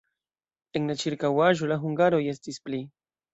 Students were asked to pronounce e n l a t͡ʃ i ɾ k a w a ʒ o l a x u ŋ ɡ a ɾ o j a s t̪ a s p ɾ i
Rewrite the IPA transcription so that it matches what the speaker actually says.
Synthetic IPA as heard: e ŋ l a t͡ʃ i ɾ k a w a ʒ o l a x u ŋ ɡ a ɾ o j e s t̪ i s p l i